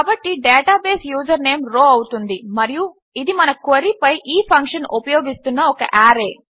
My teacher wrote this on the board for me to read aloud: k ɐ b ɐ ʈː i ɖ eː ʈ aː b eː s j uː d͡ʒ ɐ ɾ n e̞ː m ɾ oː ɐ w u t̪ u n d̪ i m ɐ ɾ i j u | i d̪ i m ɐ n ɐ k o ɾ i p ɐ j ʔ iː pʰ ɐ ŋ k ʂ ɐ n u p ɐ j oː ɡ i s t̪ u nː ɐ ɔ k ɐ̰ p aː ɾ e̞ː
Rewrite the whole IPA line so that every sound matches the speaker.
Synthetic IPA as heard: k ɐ b ɐ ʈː i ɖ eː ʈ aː b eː s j uː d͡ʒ ɐ ɾ n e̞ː m ɾ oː ɐ w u t̪ u n d̪ i m ɐ ɾ i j u | i d̪ i m ɐ n ɐ k o ɾ i p ɐ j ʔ iː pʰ ɐ ŋ k ʂ ɐ n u p ɐ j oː ɡ i s t̪ u nː ɐ ɔ k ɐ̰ ʔ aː ɾ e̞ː